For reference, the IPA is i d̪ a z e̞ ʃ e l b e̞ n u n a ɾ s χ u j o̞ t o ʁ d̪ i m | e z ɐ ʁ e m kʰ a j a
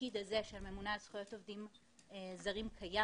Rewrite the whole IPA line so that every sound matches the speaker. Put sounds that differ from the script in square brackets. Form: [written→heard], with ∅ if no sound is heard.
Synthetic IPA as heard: i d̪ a z e̞ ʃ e l [b→m] e̞ [n→m] u n a [ɾ→l] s χ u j o̞ t o [ʁ→v] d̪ i m | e z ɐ ʁ [e→i] m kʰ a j a